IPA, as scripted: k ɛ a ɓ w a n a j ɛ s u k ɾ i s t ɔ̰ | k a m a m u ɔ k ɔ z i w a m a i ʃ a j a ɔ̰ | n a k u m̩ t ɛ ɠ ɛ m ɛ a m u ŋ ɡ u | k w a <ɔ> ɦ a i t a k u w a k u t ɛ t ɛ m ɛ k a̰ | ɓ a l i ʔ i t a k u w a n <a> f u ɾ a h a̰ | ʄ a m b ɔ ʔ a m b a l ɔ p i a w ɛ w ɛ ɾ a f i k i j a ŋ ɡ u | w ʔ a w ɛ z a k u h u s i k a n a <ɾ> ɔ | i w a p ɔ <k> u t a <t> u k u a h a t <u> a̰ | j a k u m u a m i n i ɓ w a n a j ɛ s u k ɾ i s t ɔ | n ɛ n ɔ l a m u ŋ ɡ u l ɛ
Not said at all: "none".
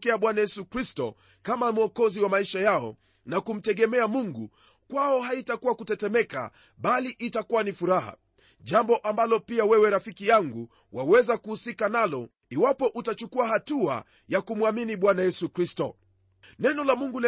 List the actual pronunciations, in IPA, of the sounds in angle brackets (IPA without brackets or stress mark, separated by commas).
ɔ, i, l, ʔ, t͡ʃ, u